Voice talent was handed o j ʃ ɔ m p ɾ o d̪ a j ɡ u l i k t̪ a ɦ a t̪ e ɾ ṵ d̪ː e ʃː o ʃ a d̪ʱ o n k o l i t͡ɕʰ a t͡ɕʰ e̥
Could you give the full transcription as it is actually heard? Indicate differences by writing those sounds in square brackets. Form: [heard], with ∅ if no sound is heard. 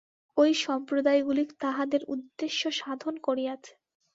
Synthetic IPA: o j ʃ ɔ m p ɾ o d̪ a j ɡ u l i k t̪ a ɦ a [d̪] e ɾ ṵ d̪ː e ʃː o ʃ a d̪ʱ o n k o [ɾ] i [∅] a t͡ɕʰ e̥